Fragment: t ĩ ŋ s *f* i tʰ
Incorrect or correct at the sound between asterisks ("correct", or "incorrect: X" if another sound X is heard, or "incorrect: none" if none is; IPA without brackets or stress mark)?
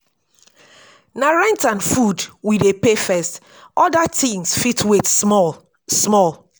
correct